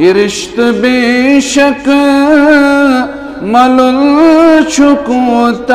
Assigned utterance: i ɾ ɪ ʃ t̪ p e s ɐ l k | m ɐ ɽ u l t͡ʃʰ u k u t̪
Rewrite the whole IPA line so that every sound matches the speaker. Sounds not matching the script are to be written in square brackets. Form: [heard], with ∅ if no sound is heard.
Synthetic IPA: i ɾ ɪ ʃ t̪ [b] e [ʃ] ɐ [∅] k | m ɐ [l] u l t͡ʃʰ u k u t̪